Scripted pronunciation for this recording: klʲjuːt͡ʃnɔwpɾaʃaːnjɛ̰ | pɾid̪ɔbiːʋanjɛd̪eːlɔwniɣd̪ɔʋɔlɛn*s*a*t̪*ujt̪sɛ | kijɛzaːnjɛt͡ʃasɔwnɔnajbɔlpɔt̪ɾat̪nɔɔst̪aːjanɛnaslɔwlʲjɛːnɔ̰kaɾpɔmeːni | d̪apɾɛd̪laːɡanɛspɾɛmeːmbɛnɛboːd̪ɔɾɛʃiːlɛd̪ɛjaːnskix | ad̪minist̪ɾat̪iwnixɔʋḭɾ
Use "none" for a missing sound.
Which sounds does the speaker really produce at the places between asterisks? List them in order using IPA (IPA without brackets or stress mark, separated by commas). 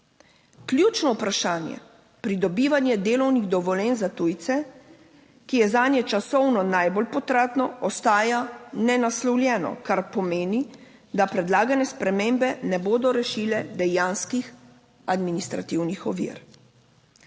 z, t̪